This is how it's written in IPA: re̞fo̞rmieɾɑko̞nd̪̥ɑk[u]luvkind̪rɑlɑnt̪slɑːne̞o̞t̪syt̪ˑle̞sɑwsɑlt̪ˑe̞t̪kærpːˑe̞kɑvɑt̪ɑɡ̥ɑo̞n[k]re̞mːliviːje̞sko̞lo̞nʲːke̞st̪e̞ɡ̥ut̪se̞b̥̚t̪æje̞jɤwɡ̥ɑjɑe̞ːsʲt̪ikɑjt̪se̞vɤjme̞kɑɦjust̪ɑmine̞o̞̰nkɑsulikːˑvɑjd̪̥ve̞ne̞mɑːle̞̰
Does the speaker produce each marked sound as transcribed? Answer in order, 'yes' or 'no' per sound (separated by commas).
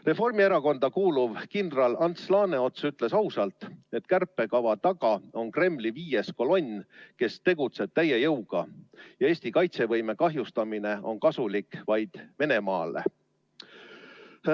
no, yes